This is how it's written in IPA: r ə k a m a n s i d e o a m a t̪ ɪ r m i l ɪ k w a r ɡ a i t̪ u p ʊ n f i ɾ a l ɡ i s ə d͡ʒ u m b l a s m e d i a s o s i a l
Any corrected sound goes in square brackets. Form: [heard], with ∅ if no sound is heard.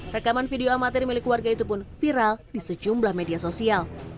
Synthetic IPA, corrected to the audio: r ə k a m a n [f] i d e o a m a t̪ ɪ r m i l ɪ k w a r ɡ a i t̪ u p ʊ n f i ɾ a l [d] i s ə d͡ʒ u m b l a [h] m e d i a s o s i a l